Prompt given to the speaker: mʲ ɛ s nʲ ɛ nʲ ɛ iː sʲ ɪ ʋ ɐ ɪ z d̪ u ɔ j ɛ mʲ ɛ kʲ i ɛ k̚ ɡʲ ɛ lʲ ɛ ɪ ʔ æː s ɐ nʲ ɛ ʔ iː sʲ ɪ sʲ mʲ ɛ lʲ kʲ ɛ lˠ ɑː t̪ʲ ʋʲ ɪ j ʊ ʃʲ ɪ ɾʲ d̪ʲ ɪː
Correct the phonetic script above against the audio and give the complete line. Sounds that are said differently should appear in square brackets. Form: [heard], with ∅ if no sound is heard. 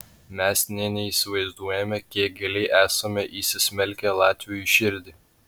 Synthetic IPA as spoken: mʲ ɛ s nʲ ɛ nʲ ɛ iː sʲ ɪ ʋ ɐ ɪ z d̪ u ɔ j ɛ mʲ ɛ kʲ i ɛ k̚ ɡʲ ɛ lʲ ɛ ɪ ʔ æː s ɐ [mʲ] ɛ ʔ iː sʲ ɪ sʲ mʲ ɛ lʲ kʲ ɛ lˠ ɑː t̪ʲ ʋʲ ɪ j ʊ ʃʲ ɪ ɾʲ d̪ʲ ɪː